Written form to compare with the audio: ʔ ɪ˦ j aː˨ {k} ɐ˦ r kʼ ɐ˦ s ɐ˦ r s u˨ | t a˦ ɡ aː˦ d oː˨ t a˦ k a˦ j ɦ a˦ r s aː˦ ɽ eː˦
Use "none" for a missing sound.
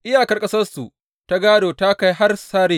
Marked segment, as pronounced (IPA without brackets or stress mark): k